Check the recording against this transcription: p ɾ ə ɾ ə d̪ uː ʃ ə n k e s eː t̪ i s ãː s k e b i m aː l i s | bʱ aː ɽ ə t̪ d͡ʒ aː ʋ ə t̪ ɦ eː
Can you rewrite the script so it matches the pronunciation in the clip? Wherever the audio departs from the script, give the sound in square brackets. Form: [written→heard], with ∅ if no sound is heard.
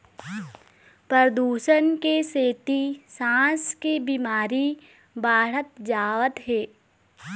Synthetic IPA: p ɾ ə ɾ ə d̪ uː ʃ ə n k e s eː t̪ i s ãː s k e b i m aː [l→ɾ] i [s→∅] | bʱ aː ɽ ə t̪ d͡ʒ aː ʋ ə t̪ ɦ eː